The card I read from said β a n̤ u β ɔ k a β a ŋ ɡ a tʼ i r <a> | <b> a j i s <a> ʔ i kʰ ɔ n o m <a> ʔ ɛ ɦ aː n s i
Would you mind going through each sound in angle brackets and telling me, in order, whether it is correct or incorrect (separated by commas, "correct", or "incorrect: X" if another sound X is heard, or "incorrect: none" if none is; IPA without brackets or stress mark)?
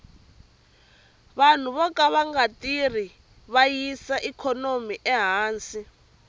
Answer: incorrect: i, incorrect: β, correct, incorrect: i